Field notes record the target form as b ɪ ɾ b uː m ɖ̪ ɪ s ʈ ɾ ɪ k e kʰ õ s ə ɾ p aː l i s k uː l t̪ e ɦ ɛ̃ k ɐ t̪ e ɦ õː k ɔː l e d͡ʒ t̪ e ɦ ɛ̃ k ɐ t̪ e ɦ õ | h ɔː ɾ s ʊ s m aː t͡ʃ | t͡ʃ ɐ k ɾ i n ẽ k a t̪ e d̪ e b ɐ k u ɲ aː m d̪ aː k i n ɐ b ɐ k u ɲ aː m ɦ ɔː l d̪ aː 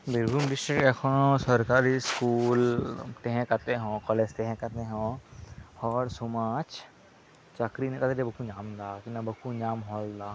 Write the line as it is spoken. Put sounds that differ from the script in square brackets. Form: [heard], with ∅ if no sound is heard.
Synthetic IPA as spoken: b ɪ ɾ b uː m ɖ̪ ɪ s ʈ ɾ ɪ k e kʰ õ s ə ɾ [k] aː [ɾ] i s k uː l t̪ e ɦ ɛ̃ k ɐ t̪ e ɦ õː k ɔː l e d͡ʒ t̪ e ɦ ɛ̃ k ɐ t̪ e ɦ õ | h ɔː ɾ s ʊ [∅] m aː t͡ʃ | t͡ʃ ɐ k ɾ i n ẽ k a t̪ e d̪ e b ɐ k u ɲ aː m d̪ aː k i n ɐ b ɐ k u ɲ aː m ɦ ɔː l d̪ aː